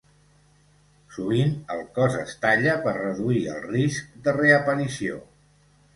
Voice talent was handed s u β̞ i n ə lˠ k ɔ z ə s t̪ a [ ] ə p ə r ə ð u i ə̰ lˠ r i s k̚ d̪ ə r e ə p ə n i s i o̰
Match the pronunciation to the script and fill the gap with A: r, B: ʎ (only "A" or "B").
B